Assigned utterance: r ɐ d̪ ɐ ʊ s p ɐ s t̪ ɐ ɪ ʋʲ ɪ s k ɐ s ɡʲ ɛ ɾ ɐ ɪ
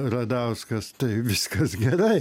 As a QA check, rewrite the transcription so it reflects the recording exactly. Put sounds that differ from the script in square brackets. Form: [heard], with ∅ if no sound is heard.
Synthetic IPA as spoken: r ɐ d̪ ɐ ʊ s [k] ɐ s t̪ ɐ ɪ ʋʲ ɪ s k ɐ s ɡʲ ɛ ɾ ɐ ɪ